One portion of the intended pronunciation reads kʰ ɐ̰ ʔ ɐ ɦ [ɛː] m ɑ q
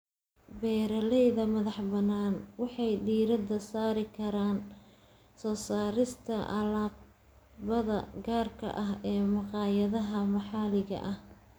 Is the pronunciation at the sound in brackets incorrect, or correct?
correct